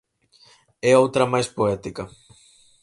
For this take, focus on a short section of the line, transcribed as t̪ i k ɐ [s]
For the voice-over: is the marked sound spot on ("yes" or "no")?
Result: no